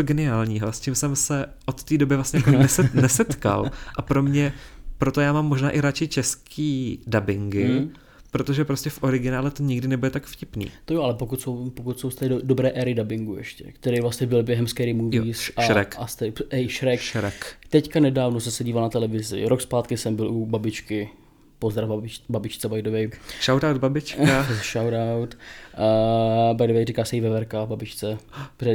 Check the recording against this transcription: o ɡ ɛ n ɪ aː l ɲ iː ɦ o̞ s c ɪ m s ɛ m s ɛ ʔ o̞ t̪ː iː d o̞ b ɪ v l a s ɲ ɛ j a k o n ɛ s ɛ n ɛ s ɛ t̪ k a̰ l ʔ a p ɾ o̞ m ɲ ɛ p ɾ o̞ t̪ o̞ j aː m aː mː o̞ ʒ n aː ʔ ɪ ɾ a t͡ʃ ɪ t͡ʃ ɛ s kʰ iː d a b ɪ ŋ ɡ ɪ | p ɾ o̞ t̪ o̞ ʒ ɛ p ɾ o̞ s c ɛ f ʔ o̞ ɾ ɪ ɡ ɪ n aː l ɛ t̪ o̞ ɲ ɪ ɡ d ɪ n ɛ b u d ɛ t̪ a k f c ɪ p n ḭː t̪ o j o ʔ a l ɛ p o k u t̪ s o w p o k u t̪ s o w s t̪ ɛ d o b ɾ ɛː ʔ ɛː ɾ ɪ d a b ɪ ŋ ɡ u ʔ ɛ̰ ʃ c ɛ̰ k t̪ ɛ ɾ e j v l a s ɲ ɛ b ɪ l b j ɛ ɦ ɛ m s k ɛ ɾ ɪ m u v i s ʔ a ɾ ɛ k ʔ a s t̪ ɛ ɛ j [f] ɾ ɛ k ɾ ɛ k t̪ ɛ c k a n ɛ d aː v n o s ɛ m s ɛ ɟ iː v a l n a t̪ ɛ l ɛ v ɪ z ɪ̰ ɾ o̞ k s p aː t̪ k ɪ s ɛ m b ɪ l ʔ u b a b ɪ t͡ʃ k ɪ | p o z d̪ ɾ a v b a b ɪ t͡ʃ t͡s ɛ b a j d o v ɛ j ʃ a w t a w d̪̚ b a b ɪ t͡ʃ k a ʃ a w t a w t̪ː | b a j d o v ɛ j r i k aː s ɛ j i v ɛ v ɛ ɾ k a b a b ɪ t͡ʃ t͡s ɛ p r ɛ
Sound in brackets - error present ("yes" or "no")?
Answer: yes